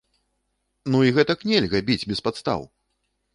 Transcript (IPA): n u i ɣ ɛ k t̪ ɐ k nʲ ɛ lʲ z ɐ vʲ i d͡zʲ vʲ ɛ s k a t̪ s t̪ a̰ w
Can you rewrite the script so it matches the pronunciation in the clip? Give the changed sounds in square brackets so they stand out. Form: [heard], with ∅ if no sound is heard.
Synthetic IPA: n u i ɣ ɛ [∅] t̪ ɐ k nʲ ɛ lʲ [ɣ] ɐ [bʲ] i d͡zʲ [bʲ] ɛ s [p] a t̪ s t̪ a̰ w